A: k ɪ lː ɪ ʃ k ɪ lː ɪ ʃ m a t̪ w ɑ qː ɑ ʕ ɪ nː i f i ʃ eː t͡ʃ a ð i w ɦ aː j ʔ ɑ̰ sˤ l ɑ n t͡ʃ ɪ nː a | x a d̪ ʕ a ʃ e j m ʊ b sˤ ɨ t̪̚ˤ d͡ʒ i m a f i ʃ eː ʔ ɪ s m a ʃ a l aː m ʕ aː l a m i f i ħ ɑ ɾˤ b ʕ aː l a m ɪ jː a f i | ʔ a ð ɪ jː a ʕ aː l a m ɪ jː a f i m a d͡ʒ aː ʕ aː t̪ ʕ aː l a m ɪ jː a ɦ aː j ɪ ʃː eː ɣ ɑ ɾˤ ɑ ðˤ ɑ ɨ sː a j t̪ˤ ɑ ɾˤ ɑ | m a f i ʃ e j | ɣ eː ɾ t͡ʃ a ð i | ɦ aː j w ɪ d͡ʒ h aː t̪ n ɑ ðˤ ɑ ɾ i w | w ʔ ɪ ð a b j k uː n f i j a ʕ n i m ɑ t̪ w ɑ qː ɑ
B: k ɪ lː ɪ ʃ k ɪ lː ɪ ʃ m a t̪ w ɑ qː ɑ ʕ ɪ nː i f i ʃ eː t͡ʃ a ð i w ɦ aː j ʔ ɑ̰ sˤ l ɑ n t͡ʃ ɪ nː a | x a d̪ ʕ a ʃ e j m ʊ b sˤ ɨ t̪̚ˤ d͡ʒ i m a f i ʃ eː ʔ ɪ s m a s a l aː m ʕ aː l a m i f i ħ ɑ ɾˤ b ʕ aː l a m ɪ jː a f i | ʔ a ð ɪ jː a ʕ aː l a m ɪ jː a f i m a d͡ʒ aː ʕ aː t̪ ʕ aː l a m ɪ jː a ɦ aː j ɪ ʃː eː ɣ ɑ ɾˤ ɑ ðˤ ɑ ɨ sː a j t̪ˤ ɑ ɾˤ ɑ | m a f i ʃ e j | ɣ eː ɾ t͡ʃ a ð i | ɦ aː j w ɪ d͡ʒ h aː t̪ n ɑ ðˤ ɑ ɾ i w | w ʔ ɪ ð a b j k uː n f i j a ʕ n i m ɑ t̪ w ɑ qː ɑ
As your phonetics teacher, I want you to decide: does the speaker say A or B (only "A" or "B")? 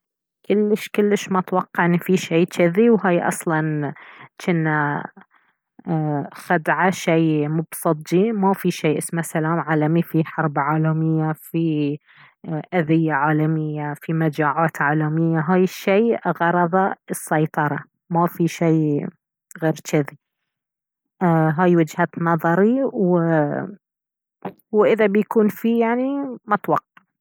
B